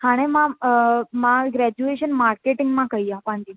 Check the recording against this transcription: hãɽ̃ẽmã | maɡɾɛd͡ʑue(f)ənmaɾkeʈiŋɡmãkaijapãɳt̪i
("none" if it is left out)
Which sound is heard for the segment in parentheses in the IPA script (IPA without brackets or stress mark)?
ɕ